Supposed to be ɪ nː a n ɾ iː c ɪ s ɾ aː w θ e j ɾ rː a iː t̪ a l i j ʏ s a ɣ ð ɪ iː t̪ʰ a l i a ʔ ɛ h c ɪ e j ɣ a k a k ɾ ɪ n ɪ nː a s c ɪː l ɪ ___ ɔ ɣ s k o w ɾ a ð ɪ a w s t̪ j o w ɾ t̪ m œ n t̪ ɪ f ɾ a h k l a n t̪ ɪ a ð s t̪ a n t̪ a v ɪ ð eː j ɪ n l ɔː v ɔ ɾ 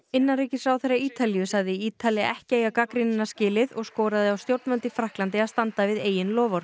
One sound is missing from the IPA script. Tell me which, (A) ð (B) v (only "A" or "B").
A